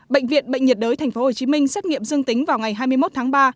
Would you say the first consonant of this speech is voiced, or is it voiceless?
voiced